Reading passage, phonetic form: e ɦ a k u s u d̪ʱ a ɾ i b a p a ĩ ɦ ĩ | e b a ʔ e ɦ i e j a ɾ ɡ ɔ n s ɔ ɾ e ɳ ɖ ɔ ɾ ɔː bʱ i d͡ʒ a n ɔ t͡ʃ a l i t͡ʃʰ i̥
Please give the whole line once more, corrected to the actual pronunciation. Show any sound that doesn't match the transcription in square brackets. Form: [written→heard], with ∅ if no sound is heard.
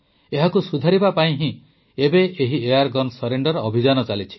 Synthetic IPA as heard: e ɦ a k u s u d̪ʱ a ɾ i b a p a ĩ ɦ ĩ | e b [a→e] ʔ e ɦ i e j a ɾ ɡ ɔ n s ɔ ɾ e ɳ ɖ ɔ ɾ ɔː bʱ i d͡ʒ a n ɔ t͡ʃ a l i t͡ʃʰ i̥